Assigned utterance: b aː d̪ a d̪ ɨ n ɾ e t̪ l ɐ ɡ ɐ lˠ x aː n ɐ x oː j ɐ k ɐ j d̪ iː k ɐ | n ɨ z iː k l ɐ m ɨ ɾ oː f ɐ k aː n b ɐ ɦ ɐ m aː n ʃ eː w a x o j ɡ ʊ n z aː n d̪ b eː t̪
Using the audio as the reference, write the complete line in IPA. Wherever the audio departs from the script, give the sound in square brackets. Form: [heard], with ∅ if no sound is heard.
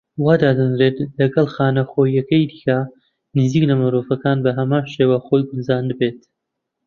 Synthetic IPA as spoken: [w] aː d̪ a d̪ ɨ n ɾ e t̪ l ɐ ɡ ɐ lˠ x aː n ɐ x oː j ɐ k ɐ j d̪ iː k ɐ | n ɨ z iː k l ɐ m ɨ ɾ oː f ɐ k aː n b ɐ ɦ ɐ m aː n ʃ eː w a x o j ɡ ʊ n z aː n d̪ b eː t̪